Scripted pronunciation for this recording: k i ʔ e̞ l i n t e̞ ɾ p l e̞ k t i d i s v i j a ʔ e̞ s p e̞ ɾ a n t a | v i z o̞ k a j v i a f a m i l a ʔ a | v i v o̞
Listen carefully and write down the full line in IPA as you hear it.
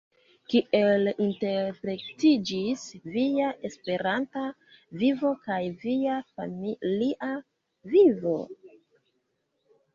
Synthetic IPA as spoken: k i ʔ e̞ l i n t e̞ ɾ p ɾ e̞ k t i d͡ʒ i s v i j a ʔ e̞ s p e̞ ɾ a n t a | v i v o̞ k a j v i a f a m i l i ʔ a | v i v o̞

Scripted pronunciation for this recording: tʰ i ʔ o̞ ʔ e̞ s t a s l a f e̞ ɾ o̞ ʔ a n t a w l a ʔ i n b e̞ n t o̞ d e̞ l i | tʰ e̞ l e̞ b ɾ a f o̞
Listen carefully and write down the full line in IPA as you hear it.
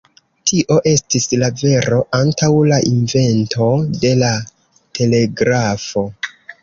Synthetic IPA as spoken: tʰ i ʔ o̞ ʔ e̞ s t i s l a v e̞ ɾ o̞ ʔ a n t a w l a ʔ i n v e̞ n t o̞ d e̞ l a | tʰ e̞ l e̞ ɡ ɾ a f o̞

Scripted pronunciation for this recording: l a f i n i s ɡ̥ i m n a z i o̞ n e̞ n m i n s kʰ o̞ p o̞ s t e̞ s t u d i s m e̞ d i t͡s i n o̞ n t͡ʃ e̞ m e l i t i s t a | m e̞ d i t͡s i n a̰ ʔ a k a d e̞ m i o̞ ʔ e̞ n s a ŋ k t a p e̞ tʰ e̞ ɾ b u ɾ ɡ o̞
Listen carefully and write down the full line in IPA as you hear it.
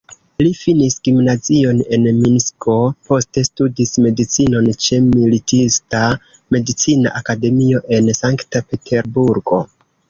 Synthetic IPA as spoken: l i f i n i s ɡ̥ i m n a z i o̞ n e̞ n m i n s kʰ o̞ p o̞ s t e̞ s t u d i s m e̞ d i t͡s i n o̞ n t͡ʃ e̞ m i l i t i s t a | m e̞ d i t͡s i n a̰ ʔ a k a d e̞ m i o̞ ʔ e̞ n s a ŋ k t a p e̞ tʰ e̞ ɾ b u ɾ ɡ o̞

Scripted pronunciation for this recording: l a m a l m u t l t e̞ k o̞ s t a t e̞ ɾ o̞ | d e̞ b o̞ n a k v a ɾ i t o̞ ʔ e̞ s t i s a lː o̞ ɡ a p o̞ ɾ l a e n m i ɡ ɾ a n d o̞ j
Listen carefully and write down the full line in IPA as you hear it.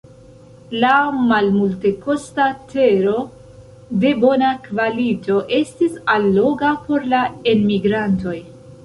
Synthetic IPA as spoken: l a m a l m u l t e̞ k o̞ s t a t e̞ ɾ o̞ | d e̞ b o̞ n a k v a l i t o̞ ʔ e̞ s t i s a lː o̞ ɡ a p o̞ ɾ l a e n m i ɡ ɾ a n t o̞ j

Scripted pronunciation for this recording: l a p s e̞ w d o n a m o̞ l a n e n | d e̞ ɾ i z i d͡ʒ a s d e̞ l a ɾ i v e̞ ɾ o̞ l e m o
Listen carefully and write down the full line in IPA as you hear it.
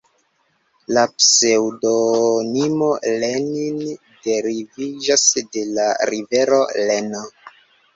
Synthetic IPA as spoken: l a p s e̞ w d o n i m o̞ l e n i n | d e̞ ɾ i v i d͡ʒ a s d e̞ l a ɾ i v e̞ ɾ o̞ l e n o

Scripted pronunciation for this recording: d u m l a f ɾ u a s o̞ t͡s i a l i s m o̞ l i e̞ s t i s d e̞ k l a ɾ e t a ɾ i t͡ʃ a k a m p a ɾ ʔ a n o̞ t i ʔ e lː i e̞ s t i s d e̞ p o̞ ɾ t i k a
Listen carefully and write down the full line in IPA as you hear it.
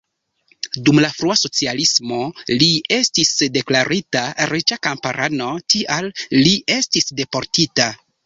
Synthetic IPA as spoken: d u m l a f ɾ u a s o̞ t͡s i a l i s m o̞ l i e̞ s t i s d e̞ k l a ɾ i t a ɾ i t͡ʃ a k a m p a ɾ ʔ a n o̞ t i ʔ a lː i e̞ s t i s d e̞ p o̞ ɾ t i t a

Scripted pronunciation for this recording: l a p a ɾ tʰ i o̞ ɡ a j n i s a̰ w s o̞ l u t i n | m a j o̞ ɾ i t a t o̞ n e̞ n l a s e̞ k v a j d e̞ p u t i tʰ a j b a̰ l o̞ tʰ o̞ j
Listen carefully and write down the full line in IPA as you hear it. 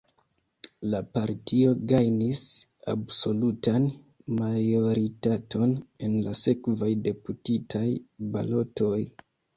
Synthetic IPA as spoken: l a p a ɾ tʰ i o̞ ɡ a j n i s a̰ b s o̞ l u t a n | m a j o̞ ɾ i t a t o̞ n e̞ n l a s e̞ k v a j d e̞ p u t i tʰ a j b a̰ l o̞ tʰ o̞ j

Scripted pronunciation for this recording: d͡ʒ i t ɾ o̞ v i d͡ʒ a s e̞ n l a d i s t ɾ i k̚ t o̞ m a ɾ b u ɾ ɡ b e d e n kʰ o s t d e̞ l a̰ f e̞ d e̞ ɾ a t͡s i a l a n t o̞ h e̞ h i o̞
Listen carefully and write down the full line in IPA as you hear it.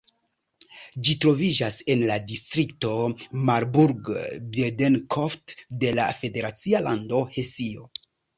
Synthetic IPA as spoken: d͡ʒ i t ɾ o̞ v i d͡ʒ a s e̞ n l a d i s t ɾ i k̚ t o̞ m a ɾ b u ɾ ɡ b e d e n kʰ o f t d e̞ l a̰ f e̞ d e̞ ɾ a t͡s i a l a n d o̞ h e̞ s i o̞

